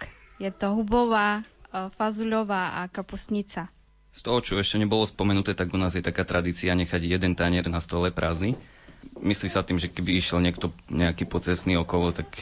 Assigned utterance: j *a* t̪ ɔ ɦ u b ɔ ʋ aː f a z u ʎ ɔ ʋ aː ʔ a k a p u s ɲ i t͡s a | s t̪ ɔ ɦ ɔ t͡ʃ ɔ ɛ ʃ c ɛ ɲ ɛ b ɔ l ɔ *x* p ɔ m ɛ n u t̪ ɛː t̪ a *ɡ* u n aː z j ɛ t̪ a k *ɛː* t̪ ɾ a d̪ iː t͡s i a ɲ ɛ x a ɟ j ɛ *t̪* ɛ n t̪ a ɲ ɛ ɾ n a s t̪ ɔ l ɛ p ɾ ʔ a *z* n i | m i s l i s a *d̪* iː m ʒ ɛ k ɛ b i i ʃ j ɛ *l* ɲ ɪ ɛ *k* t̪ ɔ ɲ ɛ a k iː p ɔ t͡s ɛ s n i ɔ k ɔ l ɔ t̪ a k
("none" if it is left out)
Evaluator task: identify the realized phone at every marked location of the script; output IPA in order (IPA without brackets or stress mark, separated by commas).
ɛ, s, ɡ, aː, d̪, z, t̪, l, k